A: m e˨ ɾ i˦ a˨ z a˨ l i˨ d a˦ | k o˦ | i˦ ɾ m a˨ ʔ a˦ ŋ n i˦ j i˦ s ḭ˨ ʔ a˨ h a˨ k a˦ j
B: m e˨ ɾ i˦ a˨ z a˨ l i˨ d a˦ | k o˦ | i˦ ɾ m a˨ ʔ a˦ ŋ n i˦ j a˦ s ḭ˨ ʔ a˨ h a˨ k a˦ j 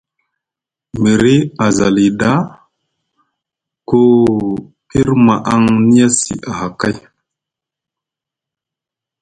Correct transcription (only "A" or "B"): B